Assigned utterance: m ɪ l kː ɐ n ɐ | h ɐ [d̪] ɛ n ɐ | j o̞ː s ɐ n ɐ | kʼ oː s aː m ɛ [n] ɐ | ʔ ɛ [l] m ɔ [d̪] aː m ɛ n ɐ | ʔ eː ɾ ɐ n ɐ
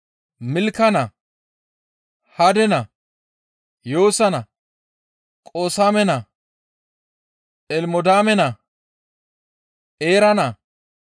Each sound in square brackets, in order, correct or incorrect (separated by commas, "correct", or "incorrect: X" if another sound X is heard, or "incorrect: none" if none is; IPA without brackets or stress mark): correct, correct, correct, correct